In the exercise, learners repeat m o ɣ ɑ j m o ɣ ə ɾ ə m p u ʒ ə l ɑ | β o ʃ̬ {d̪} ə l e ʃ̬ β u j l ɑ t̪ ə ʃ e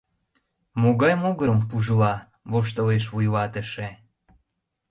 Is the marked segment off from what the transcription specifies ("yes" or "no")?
yes